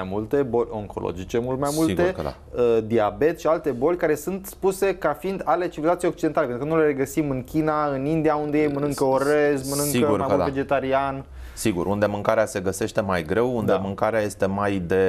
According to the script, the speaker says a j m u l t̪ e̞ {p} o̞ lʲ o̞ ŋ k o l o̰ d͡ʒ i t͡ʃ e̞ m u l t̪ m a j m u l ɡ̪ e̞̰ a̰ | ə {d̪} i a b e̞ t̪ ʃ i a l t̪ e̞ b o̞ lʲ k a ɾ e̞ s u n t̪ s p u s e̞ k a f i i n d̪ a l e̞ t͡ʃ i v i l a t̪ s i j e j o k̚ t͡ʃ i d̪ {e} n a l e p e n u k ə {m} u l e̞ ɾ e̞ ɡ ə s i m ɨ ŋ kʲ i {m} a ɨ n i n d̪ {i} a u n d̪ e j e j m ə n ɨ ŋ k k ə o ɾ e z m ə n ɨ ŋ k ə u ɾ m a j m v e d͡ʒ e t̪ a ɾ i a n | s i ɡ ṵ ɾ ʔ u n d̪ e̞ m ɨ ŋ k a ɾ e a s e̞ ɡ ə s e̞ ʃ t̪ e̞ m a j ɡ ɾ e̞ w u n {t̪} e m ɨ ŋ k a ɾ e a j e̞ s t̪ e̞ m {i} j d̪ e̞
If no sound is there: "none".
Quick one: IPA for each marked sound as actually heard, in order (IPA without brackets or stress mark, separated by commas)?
b, d̪, e, n, n, i, d̪, a